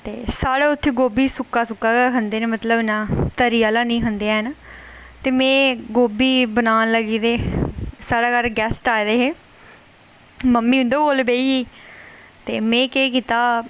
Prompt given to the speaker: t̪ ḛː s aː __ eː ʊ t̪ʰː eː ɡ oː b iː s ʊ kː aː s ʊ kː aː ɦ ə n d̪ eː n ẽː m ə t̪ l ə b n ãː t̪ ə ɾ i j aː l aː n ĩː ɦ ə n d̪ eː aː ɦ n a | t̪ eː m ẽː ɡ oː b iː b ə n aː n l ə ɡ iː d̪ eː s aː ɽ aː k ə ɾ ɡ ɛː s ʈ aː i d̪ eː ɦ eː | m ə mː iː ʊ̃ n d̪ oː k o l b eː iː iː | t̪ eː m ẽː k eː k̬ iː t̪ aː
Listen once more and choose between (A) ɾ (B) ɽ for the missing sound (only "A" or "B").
B